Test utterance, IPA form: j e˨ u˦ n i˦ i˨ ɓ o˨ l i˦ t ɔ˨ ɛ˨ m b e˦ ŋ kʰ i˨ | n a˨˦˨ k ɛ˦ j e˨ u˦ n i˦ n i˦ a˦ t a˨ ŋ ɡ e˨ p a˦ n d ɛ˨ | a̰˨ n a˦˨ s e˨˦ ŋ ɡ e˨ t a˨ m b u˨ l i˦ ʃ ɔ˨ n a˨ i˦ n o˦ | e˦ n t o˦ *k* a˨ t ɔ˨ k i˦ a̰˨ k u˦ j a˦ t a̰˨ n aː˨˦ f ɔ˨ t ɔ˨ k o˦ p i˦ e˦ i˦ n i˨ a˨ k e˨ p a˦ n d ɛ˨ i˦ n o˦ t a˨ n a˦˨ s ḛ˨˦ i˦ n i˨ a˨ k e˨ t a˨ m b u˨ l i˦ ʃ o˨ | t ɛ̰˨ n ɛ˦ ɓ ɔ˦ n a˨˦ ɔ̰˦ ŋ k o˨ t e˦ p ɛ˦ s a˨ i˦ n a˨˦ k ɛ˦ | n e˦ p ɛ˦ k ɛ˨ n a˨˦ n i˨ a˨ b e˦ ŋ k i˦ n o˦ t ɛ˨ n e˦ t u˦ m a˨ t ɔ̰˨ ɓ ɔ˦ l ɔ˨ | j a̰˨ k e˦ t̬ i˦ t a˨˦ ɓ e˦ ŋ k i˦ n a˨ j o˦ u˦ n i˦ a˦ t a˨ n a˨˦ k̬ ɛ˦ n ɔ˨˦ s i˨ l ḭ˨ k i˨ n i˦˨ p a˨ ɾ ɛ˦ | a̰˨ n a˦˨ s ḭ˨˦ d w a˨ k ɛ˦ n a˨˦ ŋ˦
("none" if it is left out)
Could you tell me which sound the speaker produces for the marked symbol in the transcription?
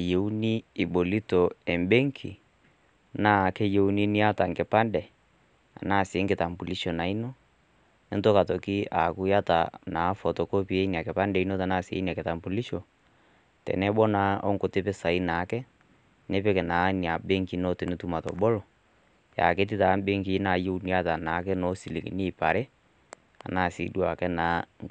k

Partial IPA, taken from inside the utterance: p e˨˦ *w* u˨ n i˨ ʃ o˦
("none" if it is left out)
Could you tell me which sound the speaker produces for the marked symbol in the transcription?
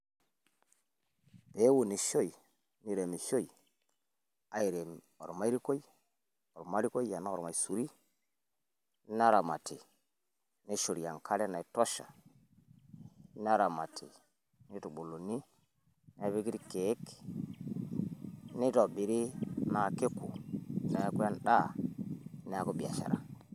w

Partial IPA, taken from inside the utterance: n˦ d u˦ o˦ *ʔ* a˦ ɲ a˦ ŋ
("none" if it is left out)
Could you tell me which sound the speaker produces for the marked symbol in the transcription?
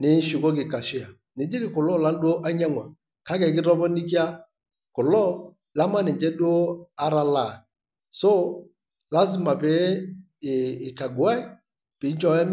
ʔ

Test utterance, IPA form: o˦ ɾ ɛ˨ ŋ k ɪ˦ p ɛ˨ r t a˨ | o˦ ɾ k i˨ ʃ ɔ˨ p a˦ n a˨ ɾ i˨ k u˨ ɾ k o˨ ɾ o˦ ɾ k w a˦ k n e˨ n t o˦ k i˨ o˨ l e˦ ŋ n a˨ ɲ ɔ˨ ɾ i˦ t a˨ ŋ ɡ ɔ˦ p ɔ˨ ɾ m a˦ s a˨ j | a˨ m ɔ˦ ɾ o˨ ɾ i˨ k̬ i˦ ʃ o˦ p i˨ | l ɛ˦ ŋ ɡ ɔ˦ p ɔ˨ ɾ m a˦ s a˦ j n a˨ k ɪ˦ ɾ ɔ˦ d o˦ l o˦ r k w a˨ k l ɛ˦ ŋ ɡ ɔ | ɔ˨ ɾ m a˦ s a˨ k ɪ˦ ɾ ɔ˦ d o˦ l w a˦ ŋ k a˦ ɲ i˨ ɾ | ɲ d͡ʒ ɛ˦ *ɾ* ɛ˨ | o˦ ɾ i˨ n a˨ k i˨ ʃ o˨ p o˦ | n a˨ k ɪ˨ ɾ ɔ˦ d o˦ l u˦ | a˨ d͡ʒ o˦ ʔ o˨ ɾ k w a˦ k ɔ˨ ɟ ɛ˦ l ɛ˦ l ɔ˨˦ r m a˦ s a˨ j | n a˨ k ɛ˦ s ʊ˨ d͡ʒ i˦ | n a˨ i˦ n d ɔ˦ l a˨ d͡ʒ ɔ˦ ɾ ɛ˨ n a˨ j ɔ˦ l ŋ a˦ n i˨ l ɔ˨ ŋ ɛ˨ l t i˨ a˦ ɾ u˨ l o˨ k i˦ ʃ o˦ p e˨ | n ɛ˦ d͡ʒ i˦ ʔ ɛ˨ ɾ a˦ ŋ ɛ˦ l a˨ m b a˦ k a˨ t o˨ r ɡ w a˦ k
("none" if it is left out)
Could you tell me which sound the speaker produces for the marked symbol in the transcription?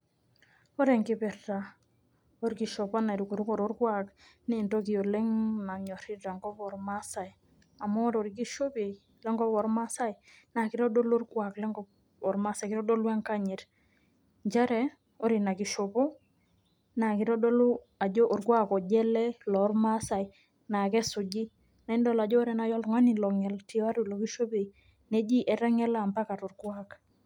ɾ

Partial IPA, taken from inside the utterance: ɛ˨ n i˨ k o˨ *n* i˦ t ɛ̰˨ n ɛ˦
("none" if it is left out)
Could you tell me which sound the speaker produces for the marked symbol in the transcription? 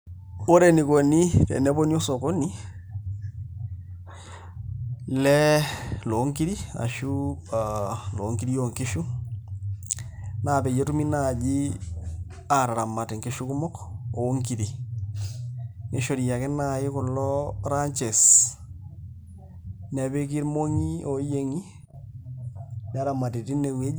n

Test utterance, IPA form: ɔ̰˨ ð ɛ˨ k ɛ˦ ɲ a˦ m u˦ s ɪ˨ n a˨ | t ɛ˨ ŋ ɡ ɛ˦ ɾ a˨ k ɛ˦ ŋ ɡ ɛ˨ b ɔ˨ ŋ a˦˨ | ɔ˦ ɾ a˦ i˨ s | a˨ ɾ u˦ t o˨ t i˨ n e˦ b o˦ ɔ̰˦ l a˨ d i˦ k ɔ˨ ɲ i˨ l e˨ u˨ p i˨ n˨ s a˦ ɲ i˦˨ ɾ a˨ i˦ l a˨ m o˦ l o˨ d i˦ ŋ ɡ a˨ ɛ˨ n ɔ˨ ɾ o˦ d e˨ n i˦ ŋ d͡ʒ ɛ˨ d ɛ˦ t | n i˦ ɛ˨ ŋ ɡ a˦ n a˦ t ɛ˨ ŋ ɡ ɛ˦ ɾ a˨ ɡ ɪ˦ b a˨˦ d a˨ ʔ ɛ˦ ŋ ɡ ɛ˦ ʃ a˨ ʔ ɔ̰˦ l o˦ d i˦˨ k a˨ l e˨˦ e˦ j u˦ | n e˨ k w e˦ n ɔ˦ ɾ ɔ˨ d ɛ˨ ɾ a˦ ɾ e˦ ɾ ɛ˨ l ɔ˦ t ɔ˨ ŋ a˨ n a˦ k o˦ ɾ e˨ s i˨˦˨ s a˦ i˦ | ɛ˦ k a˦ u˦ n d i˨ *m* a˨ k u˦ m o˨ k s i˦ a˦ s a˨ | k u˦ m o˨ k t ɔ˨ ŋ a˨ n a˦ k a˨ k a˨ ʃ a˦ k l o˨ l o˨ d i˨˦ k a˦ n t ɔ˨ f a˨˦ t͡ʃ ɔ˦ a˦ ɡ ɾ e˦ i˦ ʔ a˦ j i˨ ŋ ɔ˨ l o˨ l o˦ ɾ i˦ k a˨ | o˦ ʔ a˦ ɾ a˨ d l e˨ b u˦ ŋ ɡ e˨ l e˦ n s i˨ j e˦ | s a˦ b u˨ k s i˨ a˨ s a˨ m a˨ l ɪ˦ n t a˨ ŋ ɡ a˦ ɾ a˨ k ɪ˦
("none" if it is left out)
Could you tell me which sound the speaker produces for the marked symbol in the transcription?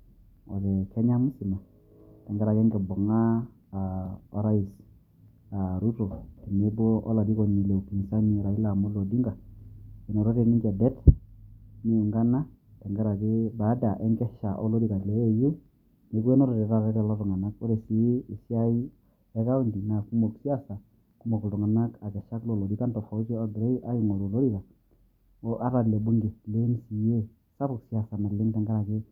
n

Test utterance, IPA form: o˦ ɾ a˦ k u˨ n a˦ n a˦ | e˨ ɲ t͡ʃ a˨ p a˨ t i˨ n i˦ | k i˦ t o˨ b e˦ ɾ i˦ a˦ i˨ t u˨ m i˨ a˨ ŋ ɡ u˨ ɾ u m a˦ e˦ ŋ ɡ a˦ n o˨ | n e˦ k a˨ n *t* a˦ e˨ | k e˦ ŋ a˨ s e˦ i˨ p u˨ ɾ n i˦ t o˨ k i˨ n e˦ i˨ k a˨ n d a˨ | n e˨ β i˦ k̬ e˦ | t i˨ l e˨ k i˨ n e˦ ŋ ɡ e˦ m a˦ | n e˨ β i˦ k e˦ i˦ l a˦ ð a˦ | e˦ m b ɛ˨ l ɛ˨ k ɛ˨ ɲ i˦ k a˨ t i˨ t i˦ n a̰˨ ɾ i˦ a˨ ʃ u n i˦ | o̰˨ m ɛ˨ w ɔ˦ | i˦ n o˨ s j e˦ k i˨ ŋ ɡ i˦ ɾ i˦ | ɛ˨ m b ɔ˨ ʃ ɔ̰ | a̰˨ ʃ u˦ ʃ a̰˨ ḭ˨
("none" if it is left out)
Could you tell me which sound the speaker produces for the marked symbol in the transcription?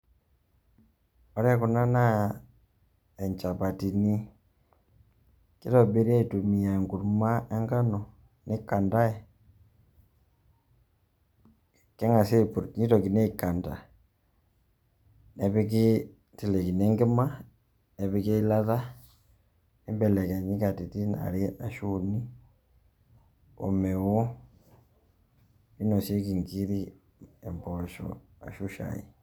d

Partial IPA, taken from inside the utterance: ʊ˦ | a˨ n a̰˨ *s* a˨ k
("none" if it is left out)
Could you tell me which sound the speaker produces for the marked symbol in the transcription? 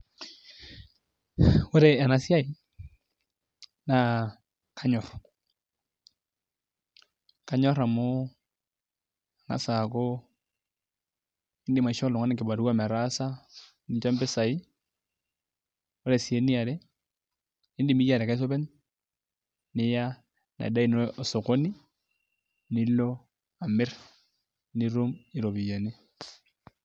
s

